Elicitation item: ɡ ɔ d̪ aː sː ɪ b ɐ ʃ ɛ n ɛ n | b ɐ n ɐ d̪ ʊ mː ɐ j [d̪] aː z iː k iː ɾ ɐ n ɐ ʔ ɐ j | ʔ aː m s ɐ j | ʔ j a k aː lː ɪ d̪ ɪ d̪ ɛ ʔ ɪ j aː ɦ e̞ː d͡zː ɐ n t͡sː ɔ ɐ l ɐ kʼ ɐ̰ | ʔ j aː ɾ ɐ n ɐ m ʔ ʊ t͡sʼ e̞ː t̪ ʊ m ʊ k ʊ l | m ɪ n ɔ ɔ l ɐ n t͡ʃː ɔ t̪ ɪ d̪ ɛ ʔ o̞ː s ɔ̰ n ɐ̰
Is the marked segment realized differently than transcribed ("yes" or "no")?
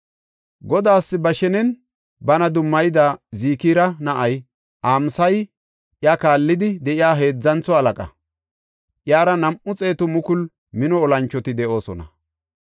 no